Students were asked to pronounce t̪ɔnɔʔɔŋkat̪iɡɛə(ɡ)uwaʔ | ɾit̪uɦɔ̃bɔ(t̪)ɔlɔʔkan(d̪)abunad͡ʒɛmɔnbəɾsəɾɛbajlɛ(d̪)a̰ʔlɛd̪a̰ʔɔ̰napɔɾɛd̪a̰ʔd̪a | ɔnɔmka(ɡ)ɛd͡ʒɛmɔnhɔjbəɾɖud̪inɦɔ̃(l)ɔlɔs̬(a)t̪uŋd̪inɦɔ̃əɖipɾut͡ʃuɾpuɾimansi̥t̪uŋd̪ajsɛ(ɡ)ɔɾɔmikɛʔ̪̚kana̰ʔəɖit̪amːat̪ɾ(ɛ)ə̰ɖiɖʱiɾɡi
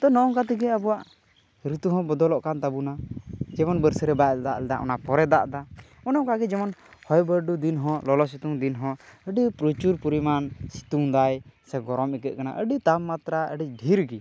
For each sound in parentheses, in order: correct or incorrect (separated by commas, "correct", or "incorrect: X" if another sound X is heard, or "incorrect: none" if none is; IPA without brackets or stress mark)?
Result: incorrect: b, incorrect: d̪, incorrect: t̪, correct, correct, correct, incorrect: i, correct, incorrect: a